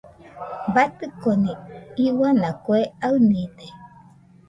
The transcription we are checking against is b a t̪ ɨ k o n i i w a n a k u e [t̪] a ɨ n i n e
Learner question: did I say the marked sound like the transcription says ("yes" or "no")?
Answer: no